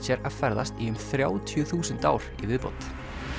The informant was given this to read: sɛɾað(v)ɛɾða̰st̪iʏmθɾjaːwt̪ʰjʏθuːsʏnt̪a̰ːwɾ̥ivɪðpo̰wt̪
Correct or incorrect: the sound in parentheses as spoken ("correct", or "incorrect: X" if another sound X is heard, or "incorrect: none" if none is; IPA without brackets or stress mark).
incorrect: f